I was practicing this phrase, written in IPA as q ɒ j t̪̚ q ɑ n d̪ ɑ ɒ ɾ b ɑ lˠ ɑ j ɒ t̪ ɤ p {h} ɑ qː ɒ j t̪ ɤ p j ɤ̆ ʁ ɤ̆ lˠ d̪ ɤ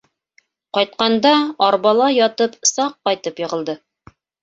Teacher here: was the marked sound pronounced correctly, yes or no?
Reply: no